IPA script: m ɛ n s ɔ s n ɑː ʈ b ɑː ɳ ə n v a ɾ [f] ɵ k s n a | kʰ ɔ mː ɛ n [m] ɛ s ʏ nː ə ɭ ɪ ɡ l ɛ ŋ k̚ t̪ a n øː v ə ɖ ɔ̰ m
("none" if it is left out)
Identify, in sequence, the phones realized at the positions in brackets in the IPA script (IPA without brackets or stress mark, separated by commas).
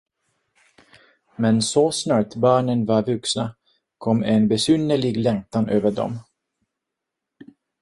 v, b